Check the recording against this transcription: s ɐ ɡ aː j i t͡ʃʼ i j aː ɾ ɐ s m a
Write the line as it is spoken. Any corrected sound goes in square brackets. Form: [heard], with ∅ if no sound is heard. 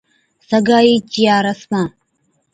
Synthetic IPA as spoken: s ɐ ɡ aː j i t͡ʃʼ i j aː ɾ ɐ s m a